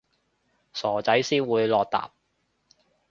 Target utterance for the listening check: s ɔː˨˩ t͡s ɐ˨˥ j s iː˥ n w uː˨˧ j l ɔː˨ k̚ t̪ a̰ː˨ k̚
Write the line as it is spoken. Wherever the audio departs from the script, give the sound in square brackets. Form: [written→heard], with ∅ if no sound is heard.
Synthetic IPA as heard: s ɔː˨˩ t͡s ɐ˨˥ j s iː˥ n w uː˨˧ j l ɔː˨ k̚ t̪ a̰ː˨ [k̚→p̚]